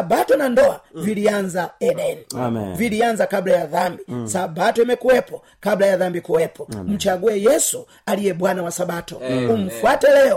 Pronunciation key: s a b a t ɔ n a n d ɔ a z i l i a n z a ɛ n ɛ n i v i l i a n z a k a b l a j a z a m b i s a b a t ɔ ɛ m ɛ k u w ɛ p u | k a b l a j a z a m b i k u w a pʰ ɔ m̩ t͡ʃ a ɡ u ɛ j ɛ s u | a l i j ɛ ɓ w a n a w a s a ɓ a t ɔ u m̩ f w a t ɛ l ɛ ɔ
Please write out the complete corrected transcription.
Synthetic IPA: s a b a t ɔ n a n d ɔ a v i l i a n z a ɛ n ɛ n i v i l i a n z a k a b l a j a ð a m b i s a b a t ɔ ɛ m ɛ k u w ɛ p ɔ | k a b l a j a ð a m b i k u w ɛ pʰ ɔ m̩ t͡ʃ a ɡ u ɛ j ɛ s u | a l i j ɛ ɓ w a n a w a s a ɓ a t ɔ u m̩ f w a t ɛ l ɛ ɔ